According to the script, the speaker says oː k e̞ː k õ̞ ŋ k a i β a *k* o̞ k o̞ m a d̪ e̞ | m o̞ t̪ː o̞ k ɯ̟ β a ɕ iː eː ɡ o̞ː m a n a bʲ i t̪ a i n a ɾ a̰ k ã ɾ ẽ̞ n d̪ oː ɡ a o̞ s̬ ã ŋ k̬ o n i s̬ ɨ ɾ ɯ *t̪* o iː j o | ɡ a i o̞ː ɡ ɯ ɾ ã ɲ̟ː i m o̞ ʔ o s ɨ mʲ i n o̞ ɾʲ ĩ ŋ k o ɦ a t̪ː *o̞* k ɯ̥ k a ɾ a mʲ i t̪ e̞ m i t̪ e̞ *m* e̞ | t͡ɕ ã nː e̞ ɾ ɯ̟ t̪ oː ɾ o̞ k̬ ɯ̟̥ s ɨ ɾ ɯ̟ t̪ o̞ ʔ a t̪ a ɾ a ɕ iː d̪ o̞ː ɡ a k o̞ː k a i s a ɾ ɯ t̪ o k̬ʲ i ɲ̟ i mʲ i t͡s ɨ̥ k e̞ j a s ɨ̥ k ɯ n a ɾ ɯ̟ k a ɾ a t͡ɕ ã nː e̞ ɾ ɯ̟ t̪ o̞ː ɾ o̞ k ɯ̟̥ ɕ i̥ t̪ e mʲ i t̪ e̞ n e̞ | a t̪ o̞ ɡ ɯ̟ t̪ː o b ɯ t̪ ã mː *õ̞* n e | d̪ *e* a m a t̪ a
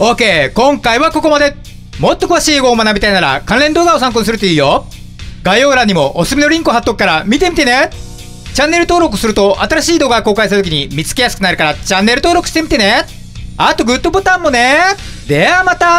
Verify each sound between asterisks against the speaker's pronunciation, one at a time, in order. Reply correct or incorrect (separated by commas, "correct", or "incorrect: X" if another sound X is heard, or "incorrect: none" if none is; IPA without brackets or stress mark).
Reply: correct, correct, correct, incorrect: n, incorrect: o̞, correct